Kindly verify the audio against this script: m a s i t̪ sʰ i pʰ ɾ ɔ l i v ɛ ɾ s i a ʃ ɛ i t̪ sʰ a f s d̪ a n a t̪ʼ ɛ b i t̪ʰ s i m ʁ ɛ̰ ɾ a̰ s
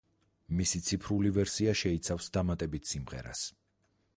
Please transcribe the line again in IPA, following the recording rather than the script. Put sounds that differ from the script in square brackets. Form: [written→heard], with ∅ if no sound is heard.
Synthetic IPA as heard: m [a→i] s i t̪ sʰ i pʰ ɾ [ɔ→u] l i v ɛ ɾ s i a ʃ ɛ i t̪ sʰ a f s d̪ a [n→m] a t̪ʼ ɛ b i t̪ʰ s i m ʁ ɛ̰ ɾ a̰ s

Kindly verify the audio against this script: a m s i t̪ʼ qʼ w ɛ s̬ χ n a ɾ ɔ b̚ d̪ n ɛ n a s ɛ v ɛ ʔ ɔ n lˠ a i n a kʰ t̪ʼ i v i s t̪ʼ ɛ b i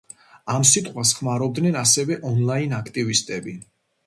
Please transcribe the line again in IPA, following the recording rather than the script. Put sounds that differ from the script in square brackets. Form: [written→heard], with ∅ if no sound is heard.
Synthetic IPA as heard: a m s i t̪ʼ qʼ w [ɛ→a] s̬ χ [n→m] a ɾ ɔ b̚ d̪ n ɛ n a s ɛ v ɛ ʔ ɔ n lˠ a i n a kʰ t̪ʼ i v i s t̪ʼ ɛ b i

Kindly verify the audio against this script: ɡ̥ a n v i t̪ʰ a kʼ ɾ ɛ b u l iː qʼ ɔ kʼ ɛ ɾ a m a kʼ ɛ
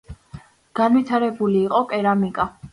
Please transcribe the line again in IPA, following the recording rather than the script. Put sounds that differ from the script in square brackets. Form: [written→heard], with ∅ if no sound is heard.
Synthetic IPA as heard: ɡ̥ a n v i t̪ʰ a [kʼ→∅] ɾ ɛ b u l iː qʼ ɔ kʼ ɛ ɾ a m [a→i] kʼ [ɛ→a]

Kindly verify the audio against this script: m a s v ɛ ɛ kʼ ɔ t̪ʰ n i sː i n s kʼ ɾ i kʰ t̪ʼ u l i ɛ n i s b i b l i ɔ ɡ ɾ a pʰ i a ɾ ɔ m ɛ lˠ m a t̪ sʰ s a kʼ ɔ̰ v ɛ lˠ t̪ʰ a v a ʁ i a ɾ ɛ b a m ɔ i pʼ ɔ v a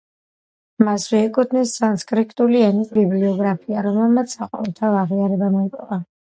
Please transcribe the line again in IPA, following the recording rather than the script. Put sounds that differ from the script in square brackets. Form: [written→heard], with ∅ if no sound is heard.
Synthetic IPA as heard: m a s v ɛ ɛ kʼ [ɔ→u] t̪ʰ n i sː [i→a] n s kʼ ɾ i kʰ t̪ʼ u l i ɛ n i s b i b l i ɔ ɡ ɾ a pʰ i a ɾ ɔ m ɛ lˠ m a t̪ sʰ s a [kʼ→qʼ] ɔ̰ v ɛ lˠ t̪ʰ a v a ʁ i a ɾ ɛ b a m ɔ i pʼ ɔ v a

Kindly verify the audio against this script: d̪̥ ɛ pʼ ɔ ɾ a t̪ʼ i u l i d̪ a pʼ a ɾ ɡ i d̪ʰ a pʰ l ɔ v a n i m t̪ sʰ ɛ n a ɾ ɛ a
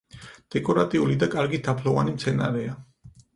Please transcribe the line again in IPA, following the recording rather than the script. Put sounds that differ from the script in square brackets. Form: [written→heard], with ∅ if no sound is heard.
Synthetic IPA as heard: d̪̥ ɛ [pʼ→kʼ] ɔ ɾ a t̪ʼ i u l i d̪ a [pʼ→kʼ] a ɾ ɡ i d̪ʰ a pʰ l ɔ v a n i m t̪ sʰ ɛ n a ɾ ɛ a

